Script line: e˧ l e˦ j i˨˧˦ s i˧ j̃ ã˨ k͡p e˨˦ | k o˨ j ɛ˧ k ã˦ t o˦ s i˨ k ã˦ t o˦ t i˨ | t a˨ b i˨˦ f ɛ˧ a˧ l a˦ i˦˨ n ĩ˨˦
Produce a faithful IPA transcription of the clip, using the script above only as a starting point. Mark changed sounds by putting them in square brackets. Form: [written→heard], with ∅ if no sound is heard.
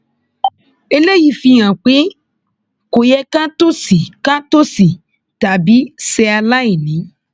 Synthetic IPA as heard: e˧ l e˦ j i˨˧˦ [s→f] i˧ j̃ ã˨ k͡p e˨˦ | k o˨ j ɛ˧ k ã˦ t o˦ s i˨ k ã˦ t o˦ [t→s] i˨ | t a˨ b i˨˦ [f→s] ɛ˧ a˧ l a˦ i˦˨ n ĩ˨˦